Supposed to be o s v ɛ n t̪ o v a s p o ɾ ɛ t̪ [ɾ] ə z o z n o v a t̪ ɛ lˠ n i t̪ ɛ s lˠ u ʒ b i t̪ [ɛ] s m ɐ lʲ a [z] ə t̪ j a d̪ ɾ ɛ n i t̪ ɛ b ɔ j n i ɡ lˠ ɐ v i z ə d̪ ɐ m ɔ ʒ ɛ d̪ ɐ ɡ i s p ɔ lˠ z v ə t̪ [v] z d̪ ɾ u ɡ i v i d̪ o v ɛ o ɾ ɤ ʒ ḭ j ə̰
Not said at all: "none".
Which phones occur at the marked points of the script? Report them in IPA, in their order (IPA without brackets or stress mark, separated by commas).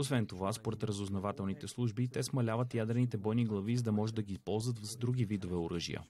ɾ, ɛ, v, v